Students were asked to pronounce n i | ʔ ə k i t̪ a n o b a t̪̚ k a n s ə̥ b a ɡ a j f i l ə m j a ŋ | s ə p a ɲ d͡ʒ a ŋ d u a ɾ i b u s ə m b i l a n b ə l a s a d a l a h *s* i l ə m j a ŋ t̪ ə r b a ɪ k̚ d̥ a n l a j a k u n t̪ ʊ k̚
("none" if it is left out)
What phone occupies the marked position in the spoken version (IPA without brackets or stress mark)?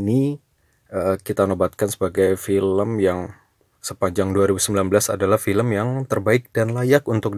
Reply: f